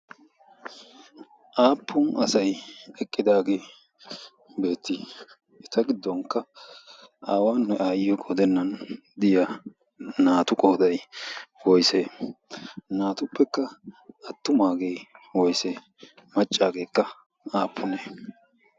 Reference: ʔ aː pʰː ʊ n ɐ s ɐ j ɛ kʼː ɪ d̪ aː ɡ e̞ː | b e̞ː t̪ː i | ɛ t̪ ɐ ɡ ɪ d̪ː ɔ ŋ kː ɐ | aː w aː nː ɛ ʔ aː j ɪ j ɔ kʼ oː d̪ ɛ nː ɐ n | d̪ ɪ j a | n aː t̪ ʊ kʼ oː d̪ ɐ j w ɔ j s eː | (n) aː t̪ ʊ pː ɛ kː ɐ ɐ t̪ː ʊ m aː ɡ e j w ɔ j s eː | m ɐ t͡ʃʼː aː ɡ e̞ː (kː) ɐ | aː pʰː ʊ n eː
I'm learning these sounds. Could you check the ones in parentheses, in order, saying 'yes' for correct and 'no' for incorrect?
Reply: yes, yes

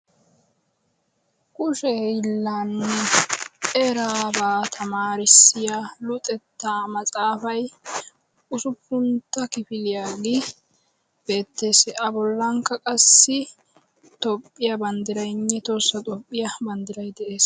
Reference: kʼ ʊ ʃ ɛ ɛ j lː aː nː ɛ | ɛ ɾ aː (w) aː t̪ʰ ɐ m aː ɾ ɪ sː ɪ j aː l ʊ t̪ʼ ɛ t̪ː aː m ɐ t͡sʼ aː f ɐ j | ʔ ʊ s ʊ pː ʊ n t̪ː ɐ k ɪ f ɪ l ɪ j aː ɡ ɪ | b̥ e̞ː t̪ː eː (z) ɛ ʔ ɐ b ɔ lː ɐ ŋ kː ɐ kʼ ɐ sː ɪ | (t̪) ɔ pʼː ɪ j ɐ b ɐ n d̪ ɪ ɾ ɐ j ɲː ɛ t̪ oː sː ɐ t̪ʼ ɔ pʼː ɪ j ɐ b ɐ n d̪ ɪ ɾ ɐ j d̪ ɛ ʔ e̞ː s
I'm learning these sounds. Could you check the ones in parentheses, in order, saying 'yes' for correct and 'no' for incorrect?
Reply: no, no, yes

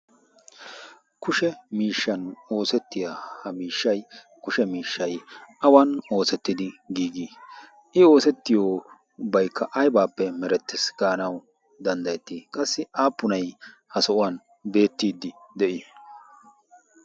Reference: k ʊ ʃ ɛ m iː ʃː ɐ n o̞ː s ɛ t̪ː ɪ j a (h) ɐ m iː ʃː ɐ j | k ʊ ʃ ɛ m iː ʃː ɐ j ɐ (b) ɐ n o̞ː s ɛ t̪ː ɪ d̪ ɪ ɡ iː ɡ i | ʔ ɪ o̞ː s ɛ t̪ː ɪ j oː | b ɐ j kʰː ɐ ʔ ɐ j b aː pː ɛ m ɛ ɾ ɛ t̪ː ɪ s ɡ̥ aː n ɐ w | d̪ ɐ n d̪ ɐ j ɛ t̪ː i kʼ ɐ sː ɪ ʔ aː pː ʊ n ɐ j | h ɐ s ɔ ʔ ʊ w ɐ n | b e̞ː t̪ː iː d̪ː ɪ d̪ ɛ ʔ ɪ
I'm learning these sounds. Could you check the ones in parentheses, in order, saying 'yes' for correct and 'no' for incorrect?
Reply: yes, no

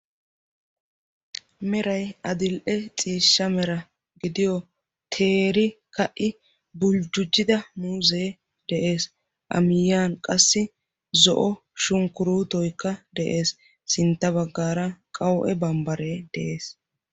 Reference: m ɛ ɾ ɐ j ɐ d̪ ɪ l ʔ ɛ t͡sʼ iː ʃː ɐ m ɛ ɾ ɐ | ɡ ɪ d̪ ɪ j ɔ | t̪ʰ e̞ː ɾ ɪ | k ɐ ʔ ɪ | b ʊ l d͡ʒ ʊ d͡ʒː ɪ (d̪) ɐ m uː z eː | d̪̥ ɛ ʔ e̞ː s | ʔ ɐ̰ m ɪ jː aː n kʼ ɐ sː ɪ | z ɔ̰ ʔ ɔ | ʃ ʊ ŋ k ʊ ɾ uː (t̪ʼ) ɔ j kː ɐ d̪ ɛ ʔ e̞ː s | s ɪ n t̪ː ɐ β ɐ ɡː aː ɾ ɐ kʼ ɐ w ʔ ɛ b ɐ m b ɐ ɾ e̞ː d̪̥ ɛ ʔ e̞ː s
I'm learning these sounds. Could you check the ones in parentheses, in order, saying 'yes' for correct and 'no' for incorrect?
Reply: yes, no

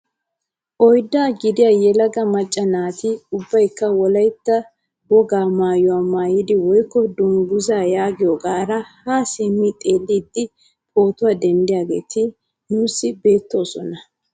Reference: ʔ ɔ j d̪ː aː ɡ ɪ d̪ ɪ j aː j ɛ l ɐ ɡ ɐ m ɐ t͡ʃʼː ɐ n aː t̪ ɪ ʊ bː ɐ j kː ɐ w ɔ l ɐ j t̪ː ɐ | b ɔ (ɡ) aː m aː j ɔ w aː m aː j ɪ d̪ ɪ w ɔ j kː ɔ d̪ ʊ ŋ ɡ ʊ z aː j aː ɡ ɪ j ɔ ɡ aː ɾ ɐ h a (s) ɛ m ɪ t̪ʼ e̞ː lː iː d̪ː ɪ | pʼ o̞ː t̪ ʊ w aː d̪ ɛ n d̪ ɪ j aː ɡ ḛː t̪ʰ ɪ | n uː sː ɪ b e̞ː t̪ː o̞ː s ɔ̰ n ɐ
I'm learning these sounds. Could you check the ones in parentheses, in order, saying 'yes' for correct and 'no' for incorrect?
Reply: yes, yes

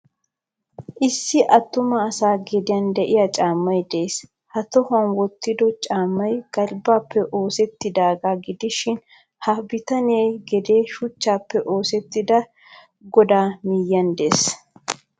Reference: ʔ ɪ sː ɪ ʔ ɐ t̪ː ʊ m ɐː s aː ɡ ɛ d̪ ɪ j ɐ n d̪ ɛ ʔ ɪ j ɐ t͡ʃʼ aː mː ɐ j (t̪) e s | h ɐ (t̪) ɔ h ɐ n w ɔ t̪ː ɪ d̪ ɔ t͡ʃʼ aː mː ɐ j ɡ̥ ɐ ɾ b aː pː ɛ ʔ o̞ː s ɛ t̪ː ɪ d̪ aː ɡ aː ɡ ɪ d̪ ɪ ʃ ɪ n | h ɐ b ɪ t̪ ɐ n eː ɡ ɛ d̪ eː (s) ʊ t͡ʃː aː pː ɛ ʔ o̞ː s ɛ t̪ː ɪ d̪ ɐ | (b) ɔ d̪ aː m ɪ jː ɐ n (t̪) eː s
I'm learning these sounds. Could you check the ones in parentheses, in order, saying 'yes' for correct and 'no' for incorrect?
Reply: no, yes, no, no, no

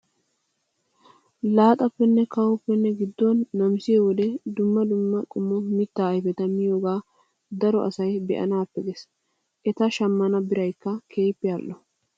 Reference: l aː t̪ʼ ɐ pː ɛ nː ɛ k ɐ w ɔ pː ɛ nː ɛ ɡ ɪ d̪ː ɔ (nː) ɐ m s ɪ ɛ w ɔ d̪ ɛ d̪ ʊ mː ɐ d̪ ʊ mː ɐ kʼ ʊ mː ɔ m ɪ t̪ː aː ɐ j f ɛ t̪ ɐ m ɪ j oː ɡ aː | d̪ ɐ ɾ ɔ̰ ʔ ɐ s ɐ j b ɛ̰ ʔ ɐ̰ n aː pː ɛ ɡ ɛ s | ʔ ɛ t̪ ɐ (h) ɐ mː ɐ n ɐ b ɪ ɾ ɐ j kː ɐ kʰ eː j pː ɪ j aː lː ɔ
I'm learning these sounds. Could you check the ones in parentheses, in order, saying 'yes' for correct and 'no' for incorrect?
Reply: yes, no

